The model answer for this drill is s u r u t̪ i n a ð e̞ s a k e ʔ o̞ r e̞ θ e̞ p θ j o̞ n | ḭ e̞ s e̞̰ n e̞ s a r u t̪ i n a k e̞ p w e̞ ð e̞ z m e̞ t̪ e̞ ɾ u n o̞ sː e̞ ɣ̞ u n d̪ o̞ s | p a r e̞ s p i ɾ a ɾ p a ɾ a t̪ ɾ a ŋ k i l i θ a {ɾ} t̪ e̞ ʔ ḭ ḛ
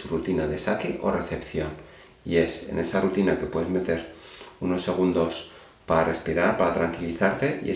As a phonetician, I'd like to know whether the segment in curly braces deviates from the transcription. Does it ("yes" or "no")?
no